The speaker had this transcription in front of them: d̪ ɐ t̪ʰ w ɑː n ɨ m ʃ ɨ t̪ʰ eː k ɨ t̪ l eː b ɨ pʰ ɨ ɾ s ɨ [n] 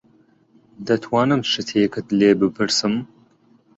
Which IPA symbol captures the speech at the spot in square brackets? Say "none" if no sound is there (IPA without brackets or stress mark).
m